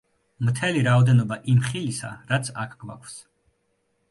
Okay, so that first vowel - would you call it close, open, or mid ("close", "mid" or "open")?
mid